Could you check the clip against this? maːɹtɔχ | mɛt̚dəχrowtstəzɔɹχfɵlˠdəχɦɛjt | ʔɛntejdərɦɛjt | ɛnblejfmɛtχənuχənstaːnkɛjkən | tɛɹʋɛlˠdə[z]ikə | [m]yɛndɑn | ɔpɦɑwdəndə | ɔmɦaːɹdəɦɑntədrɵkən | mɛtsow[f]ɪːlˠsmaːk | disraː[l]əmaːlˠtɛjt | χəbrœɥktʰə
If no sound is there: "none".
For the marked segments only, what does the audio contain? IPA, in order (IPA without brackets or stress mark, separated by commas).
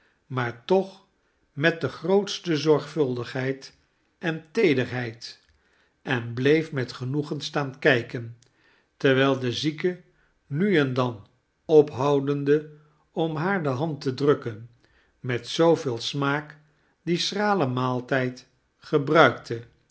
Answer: z, n, v, l